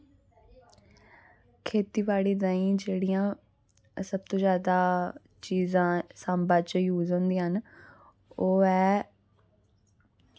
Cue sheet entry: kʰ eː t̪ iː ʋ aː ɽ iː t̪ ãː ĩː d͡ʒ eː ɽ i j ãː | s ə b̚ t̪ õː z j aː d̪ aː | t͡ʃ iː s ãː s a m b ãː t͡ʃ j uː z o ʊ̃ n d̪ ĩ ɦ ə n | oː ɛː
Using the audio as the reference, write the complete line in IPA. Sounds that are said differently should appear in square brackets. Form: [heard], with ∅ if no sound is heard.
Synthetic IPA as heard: kʰ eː t̪ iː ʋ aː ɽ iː [d̪] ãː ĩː d͡ʒ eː ɽ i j ãː | s ə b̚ t̪ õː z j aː d̪ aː | t͡ʃ iː [z] ãː s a m b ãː t͡ʃ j uː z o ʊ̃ n d̪ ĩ ɦ ə n | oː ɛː